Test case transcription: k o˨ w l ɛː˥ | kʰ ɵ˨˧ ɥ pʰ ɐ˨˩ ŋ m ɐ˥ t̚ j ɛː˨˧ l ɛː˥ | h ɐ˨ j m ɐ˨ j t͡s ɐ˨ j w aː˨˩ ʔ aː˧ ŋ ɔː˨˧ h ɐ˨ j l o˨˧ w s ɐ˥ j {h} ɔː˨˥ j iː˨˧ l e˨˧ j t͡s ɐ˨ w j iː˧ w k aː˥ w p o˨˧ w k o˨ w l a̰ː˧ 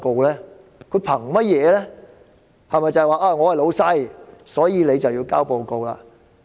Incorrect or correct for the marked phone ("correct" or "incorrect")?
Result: incorrect